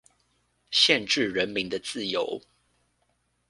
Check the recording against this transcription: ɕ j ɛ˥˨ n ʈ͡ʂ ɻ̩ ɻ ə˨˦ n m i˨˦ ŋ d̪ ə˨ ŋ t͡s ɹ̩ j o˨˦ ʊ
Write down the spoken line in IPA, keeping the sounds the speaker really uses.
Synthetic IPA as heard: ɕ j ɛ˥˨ n ʈ͡ʂ ɻ̩ ɻ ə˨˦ n m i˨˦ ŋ d̪ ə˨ t͡s ɹ̩ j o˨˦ ʊ